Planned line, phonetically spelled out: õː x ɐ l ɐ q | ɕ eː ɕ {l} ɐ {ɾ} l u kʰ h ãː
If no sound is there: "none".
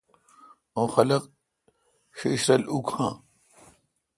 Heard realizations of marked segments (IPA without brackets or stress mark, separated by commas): ɾ, none